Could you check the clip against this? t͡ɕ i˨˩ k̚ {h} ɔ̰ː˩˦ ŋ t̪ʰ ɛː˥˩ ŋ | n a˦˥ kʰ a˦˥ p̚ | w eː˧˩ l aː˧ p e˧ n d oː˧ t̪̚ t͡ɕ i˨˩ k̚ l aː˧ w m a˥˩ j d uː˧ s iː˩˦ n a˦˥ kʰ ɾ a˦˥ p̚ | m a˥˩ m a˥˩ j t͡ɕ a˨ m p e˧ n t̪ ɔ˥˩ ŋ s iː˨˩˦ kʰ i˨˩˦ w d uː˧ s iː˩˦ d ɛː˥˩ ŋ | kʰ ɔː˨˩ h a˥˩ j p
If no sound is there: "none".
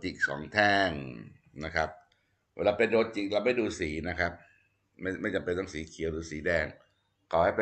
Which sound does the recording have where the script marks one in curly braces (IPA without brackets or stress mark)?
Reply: s